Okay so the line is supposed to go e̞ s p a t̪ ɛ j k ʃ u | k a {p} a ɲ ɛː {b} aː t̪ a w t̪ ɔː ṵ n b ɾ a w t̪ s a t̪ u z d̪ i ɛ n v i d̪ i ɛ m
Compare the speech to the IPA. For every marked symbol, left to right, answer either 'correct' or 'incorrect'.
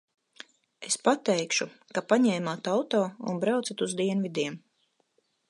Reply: correct, incorrect: m

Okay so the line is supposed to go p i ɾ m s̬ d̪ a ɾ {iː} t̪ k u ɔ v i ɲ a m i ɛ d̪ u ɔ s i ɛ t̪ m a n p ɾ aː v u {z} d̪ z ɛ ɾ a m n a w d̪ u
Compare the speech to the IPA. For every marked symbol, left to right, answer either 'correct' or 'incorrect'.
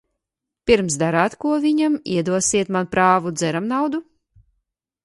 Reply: incorrect: aː, incorrect: none

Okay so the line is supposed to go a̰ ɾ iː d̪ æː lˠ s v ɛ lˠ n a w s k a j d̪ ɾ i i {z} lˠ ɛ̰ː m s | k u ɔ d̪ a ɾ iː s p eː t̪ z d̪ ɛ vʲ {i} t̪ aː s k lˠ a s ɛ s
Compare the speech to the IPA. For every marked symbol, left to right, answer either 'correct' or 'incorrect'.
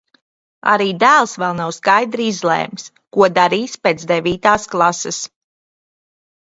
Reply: correct, incorrect: iː

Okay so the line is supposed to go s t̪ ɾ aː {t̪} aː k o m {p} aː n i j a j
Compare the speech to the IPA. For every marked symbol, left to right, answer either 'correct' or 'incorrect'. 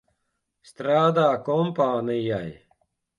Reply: incorrect: d̪, correct

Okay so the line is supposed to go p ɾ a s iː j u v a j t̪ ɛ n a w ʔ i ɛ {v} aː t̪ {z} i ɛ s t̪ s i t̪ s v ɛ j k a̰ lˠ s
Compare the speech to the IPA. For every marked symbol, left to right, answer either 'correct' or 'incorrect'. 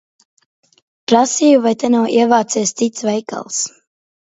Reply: correct, incorrect: s

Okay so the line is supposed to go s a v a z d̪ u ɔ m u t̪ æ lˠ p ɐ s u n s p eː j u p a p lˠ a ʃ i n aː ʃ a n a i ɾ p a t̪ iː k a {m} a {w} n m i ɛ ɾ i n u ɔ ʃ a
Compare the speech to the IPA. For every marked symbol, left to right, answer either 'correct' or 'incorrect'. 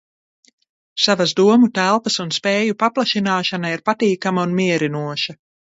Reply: correct, incorrect: u

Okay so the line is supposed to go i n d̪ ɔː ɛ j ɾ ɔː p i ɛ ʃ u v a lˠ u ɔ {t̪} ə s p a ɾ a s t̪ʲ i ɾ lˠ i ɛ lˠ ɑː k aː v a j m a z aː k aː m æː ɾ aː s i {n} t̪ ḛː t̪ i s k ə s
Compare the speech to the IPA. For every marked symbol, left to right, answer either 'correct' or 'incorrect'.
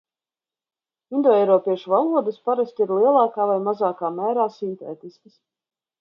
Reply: incorrect: d̪, correct

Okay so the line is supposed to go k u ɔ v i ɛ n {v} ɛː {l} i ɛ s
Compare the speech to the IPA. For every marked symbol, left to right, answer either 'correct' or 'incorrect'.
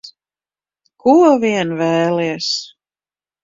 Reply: correct, correct

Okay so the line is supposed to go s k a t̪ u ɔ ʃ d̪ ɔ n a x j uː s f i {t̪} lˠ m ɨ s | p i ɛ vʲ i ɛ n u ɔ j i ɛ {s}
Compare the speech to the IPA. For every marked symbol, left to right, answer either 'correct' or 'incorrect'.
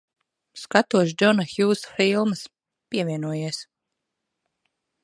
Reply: incorrect: none, correct

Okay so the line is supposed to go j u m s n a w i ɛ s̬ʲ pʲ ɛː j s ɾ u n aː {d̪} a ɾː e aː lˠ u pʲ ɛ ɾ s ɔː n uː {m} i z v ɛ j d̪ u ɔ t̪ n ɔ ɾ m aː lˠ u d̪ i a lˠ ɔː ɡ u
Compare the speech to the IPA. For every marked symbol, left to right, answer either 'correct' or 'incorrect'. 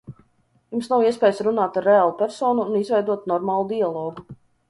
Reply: incorrect: t̪, incorrect: n

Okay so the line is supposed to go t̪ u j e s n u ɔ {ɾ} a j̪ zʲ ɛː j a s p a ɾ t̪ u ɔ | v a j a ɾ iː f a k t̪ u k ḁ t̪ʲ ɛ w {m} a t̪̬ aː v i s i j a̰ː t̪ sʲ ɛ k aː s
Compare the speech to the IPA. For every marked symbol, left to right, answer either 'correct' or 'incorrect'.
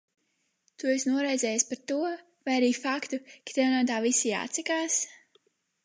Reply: correct, incorrect: n

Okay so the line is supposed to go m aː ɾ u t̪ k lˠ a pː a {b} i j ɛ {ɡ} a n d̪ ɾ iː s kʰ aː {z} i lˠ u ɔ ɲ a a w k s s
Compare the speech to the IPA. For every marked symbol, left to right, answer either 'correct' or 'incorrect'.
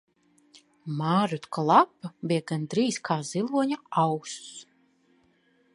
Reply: correct, correct, correct

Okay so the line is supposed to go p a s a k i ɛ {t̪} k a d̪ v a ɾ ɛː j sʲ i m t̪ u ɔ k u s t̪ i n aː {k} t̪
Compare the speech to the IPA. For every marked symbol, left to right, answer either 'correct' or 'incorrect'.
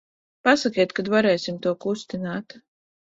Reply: correct, incorrect: none

